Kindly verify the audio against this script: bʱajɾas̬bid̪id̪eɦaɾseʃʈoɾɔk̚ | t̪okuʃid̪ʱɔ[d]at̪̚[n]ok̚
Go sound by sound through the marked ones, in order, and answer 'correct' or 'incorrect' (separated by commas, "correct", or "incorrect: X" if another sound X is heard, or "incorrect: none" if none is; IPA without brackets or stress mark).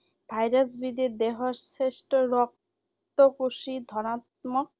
incorrect: n, incorrect: m